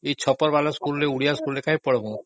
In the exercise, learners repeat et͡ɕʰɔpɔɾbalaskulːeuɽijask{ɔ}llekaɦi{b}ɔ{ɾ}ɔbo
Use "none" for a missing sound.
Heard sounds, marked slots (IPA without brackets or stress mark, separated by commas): u, p, ɽ